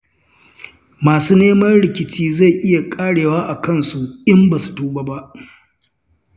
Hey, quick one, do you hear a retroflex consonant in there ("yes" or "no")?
yes